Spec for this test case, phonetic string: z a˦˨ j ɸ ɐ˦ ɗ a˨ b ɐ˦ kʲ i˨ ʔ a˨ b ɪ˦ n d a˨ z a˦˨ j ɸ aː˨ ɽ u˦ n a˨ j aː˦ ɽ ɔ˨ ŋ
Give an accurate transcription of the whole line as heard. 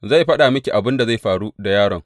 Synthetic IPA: z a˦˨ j ɸ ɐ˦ ɗ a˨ m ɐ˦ kʲ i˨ ʔ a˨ b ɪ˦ n d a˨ z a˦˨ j ɸ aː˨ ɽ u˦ d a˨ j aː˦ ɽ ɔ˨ ŋ